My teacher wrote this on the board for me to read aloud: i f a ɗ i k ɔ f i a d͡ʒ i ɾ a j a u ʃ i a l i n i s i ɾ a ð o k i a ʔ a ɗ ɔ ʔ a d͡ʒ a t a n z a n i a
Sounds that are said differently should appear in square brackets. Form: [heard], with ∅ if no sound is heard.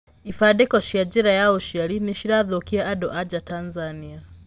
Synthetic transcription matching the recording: i f a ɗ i k ɔ [ʃ] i a d͡ʒ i ɾ a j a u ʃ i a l i n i [ʃ] i ɾ a ð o k i a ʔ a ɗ ɔ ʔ a d͡ʒ a t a n z a n i a